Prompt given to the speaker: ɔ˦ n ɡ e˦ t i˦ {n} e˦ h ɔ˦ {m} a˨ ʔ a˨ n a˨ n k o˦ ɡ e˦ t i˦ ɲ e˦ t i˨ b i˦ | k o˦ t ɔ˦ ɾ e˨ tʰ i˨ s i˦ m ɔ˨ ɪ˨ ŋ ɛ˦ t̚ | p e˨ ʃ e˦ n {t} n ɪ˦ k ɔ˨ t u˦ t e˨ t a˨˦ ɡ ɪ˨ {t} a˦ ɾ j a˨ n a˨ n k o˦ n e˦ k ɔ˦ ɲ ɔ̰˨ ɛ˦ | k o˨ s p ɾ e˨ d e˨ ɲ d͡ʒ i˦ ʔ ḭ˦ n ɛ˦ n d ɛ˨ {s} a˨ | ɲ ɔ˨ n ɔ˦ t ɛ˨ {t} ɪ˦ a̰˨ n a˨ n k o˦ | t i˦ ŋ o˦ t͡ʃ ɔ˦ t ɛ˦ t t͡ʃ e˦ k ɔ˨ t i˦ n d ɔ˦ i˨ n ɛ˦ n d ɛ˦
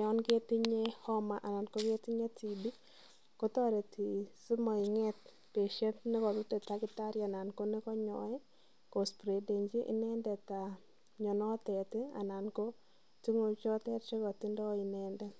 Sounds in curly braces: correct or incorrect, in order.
incorrect: ɲ, correct, correct, correct, incorrect: t, correct

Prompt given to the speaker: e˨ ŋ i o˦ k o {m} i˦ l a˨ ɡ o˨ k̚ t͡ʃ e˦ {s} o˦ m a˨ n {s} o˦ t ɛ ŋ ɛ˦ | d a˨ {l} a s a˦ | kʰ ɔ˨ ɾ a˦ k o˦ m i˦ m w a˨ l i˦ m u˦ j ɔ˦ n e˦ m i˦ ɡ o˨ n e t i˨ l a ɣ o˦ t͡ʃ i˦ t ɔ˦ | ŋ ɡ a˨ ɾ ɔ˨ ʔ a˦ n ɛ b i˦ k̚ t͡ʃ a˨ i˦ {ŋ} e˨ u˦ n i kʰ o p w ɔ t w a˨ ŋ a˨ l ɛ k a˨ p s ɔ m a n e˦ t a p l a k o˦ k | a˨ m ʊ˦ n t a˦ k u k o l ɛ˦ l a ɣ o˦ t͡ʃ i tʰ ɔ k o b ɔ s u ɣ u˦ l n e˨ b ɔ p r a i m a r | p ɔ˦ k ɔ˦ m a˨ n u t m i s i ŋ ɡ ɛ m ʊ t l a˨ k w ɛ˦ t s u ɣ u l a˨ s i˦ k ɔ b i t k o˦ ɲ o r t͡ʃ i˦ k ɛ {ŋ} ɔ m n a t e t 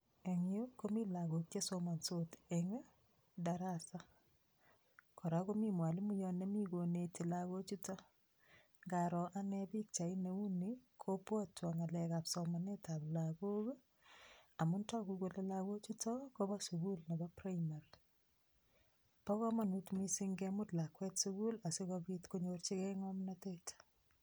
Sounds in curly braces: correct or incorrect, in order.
correct, correct, correct, incorrect: ɾ, incorrect: n, correct

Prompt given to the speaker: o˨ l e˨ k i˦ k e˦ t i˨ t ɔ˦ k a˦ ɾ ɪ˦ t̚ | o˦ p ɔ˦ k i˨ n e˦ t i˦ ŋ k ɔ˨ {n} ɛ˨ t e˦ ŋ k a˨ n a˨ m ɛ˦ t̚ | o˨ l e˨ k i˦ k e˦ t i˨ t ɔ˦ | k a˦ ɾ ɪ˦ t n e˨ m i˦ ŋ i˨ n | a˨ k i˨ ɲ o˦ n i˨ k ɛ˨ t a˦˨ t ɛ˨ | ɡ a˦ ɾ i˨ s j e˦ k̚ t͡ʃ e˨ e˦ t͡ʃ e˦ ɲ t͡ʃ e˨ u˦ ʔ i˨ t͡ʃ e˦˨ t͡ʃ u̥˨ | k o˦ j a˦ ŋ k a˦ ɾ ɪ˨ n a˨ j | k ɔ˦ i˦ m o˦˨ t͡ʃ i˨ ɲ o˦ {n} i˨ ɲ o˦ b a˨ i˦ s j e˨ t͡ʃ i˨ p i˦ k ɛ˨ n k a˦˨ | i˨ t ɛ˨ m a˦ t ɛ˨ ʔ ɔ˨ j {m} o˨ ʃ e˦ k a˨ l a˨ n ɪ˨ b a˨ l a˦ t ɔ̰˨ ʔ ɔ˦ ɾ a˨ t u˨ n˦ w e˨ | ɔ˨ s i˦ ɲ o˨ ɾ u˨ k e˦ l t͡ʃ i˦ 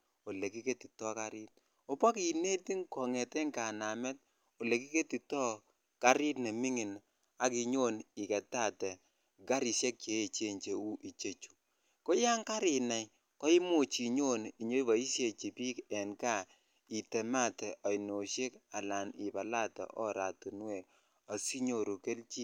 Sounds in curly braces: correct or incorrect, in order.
incorrect: ŋ, correct, incorrect: n

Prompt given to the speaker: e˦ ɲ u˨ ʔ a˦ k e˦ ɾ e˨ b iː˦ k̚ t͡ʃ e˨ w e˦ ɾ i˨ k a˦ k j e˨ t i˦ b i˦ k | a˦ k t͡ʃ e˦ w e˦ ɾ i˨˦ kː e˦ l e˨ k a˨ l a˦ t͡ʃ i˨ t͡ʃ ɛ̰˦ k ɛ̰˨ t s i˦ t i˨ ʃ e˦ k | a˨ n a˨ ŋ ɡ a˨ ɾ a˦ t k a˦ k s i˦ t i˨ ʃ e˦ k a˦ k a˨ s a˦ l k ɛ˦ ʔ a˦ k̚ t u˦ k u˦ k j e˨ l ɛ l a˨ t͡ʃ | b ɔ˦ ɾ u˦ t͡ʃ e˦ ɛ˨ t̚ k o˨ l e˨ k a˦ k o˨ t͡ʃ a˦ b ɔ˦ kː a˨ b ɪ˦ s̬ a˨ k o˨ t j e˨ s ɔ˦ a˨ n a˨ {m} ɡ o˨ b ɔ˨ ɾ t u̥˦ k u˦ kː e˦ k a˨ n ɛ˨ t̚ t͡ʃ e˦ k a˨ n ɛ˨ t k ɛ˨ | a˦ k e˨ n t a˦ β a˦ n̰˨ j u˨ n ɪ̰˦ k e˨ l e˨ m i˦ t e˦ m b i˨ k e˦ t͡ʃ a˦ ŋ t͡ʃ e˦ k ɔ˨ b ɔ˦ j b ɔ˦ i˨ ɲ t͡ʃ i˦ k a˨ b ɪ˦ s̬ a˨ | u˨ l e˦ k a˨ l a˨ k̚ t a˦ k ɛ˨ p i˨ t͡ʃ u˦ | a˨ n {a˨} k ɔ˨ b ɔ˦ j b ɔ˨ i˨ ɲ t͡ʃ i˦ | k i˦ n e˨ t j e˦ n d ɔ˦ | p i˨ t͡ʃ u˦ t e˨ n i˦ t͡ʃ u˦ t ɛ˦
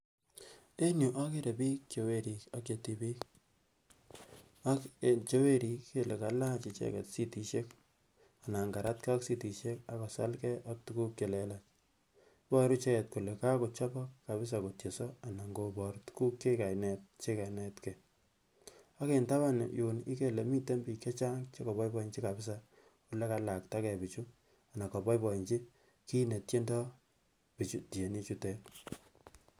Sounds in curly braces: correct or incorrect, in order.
incorrect: ŋ, correct

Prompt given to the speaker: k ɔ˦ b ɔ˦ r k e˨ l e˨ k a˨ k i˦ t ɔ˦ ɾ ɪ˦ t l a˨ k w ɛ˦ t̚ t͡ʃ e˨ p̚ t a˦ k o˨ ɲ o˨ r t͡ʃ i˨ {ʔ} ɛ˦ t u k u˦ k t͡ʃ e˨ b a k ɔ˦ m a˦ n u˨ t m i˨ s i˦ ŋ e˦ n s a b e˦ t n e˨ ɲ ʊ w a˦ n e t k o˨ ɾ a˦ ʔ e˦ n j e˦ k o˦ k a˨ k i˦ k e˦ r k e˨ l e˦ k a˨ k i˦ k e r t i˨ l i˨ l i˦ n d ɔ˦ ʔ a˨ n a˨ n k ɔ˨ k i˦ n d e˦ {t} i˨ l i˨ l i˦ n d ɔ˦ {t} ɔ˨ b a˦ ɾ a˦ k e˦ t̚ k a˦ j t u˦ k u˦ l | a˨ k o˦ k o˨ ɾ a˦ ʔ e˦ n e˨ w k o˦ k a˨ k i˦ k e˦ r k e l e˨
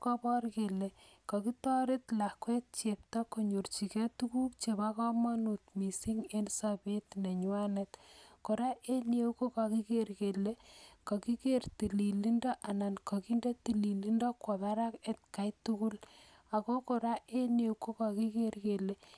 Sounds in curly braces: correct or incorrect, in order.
incorrect: k, correct, incorrect: k

